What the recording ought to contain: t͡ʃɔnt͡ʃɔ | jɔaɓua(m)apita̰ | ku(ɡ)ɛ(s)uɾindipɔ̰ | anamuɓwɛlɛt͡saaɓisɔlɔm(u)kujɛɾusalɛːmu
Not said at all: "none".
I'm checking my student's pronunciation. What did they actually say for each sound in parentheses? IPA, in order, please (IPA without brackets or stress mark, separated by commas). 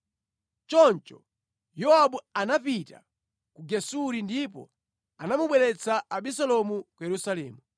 n, ɡ, s, u